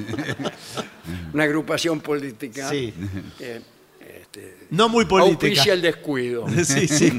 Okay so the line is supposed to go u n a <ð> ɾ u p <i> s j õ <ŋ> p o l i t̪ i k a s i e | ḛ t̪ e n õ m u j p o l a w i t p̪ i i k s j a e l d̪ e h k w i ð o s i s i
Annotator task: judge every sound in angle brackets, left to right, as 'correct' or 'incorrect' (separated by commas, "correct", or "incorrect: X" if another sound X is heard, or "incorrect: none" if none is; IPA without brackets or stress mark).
incorrect: ɣ, incorrect: a, incorrect: m